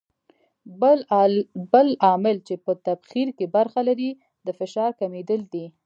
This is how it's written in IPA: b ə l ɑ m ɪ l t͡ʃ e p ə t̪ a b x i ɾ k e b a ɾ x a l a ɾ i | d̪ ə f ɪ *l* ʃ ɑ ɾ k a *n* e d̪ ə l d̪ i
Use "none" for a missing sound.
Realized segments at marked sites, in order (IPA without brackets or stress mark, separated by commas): none, m